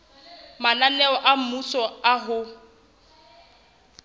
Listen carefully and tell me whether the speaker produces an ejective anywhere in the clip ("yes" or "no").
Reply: no